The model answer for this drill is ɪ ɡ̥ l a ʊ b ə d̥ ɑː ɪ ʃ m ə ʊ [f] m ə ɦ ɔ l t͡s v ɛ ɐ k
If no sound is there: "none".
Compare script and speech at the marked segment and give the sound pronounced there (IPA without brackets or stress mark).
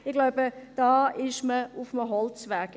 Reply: f